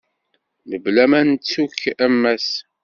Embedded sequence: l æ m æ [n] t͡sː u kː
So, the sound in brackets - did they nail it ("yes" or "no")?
yes